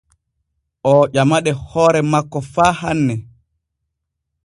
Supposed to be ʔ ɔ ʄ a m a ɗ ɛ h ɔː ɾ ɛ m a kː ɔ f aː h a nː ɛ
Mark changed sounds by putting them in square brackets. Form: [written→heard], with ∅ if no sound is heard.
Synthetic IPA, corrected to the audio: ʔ ɔ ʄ a m a ɗ ɛ h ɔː ɾ ɛ m a kː ɔ f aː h a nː ɛ